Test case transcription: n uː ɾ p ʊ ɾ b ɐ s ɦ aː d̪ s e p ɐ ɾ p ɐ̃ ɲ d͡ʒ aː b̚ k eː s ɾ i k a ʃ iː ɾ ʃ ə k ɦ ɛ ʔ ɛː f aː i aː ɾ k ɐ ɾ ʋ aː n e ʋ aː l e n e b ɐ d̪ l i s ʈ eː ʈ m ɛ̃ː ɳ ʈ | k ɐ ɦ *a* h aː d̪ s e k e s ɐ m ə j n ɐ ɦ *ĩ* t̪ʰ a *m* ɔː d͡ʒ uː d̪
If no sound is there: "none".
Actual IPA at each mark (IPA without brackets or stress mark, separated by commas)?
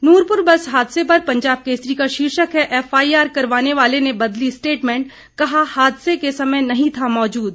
a, ĩ, m